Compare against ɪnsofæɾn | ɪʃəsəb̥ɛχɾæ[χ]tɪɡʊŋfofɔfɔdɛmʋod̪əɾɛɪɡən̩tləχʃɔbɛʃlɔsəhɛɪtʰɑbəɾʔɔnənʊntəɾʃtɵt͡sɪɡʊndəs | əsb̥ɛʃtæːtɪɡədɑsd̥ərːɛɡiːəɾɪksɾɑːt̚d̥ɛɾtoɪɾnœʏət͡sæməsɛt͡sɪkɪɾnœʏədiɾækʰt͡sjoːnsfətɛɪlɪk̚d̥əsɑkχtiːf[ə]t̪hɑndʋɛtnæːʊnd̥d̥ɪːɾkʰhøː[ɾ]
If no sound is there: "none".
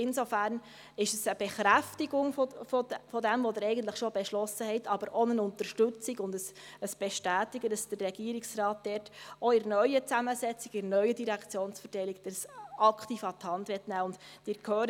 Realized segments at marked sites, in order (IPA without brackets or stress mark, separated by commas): f, ɑ, ɾ